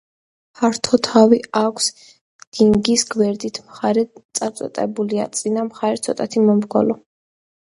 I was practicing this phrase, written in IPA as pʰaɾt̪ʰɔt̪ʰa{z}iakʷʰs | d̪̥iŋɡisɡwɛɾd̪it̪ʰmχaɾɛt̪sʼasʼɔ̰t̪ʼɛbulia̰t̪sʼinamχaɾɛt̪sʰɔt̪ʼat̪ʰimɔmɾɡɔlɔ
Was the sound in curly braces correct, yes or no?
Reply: no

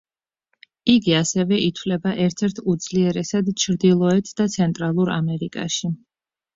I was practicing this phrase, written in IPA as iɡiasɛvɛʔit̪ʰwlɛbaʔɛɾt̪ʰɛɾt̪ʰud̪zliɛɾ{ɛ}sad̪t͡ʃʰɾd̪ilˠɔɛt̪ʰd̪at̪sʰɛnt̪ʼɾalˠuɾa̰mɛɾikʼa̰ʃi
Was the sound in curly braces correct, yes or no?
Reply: yes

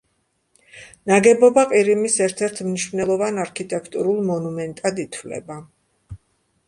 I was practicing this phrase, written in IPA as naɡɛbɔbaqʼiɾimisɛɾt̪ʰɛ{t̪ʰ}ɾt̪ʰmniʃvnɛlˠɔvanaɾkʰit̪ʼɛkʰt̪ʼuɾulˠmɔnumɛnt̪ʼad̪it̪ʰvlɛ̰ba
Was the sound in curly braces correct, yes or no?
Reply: no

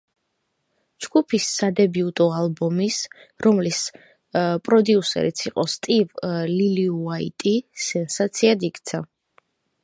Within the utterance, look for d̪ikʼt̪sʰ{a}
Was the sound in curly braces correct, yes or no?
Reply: yes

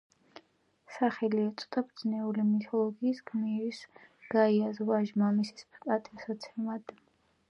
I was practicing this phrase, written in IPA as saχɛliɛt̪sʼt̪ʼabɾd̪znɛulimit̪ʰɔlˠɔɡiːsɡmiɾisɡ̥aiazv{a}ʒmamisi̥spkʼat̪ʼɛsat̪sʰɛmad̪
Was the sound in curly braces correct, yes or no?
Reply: yes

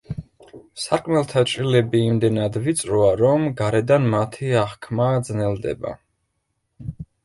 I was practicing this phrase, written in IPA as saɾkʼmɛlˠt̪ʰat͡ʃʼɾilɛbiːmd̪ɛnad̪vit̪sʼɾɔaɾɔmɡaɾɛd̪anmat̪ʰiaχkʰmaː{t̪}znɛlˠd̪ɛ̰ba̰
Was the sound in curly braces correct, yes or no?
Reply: no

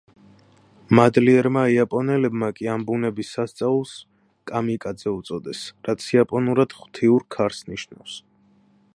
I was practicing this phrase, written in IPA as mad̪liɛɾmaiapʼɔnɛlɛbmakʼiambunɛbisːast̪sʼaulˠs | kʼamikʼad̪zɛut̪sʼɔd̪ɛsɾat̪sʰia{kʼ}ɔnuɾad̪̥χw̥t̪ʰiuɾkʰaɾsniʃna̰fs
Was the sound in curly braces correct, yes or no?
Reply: no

